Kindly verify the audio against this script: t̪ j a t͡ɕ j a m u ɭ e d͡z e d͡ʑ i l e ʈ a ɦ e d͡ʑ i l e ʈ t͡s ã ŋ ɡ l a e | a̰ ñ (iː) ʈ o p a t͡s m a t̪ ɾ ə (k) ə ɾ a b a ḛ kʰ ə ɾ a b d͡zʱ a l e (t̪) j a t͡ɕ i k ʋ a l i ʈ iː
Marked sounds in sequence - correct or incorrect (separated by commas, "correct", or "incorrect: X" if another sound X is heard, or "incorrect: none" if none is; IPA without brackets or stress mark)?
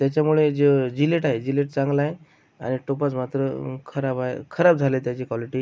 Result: incorrect: i, incorrect: kʰ, correct